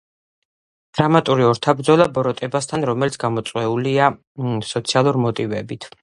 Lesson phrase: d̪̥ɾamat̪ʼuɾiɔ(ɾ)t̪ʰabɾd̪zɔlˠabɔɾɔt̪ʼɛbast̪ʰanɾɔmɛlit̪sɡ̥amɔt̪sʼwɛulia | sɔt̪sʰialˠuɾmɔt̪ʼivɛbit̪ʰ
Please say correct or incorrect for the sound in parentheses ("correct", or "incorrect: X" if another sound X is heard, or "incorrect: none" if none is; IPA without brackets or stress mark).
correct